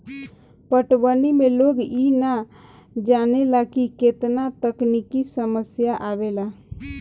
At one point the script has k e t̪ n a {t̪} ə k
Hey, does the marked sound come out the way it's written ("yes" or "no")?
yes